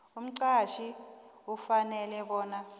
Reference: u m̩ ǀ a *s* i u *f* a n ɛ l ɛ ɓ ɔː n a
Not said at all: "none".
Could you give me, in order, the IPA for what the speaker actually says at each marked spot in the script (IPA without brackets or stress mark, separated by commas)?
ʃ, f